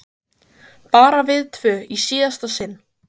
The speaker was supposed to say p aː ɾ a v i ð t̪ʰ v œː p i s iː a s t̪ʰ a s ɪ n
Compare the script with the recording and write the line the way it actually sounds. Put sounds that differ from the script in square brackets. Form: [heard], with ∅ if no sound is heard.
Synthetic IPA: p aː ɾ a v [ɪ] ð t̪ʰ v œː [∅] i s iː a s [t̪] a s ɪ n